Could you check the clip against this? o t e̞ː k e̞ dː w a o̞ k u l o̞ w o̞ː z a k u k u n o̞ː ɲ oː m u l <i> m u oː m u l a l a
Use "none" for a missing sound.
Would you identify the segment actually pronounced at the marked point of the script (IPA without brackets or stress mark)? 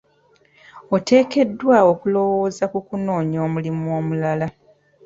i